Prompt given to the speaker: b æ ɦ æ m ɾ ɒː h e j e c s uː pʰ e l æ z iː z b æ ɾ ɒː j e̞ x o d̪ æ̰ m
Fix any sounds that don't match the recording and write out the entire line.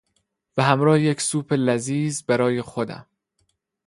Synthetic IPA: v æ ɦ æ m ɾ ɒː h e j e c s uː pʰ e l æ z iː z b æ ɾ ɒː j e̞ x o d̪ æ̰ m